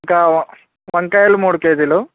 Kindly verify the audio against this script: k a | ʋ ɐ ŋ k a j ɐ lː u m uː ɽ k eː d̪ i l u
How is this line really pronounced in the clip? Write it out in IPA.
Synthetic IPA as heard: k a | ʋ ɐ ŋ k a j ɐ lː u m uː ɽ k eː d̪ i l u